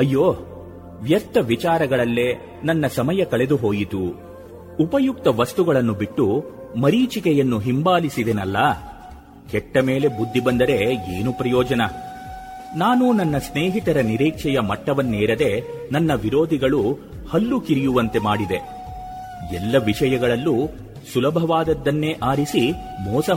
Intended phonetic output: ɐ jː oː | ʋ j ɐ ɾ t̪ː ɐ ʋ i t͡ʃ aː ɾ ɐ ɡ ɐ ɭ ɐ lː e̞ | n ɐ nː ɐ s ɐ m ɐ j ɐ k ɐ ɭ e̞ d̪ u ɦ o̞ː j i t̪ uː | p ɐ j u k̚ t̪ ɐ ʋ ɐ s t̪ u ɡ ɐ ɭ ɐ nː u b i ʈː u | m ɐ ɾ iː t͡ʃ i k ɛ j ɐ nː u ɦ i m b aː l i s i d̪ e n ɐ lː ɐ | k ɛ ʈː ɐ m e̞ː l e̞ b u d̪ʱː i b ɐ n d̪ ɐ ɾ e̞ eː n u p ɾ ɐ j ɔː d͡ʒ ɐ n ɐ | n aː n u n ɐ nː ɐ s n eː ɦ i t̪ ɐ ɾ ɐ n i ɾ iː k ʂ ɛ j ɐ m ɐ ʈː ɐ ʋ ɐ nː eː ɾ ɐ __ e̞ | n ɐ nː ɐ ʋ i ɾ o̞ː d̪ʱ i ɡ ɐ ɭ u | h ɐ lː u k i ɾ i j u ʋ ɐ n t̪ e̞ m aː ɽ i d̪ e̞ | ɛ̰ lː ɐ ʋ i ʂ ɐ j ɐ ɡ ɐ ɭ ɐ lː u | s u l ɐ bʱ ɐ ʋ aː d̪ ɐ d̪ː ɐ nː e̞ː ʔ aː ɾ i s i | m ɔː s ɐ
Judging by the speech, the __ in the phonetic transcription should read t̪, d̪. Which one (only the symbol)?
d̪